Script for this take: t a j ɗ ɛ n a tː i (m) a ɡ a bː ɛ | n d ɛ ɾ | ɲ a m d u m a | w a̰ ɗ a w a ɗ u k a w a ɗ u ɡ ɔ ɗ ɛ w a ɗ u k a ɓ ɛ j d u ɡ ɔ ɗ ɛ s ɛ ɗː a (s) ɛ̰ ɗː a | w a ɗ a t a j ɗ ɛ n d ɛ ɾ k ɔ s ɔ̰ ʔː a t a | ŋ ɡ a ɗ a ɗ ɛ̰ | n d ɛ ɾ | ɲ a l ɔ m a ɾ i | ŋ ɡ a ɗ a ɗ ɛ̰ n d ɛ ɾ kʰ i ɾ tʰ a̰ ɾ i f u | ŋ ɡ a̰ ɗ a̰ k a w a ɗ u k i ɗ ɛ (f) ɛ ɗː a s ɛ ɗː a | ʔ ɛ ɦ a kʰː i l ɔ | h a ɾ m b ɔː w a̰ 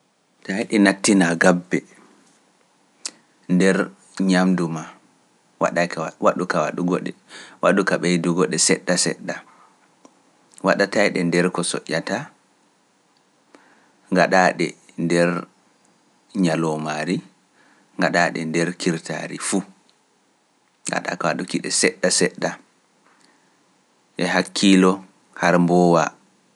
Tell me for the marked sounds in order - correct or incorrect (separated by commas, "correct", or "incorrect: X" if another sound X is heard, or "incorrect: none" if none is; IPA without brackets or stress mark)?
incorrect: n, correct, incorrect: s